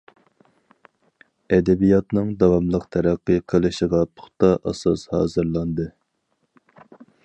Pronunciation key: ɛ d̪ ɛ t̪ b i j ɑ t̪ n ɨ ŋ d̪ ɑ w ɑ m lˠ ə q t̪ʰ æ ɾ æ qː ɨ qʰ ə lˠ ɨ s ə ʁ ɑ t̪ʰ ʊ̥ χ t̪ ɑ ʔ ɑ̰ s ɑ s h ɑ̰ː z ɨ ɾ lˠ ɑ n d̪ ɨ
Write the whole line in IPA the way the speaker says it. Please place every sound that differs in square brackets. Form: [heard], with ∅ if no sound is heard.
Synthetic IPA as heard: ɛ d̪ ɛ [∅] b i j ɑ t̪ n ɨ ŋ d̪ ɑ w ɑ m lˠ ə q t̪ʰ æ ɾ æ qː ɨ qʰ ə lˠ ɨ [ʃ] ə ʁ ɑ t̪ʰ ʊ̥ χ t̪ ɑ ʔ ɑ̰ s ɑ s h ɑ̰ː z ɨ ɾ lˠ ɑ n d̪ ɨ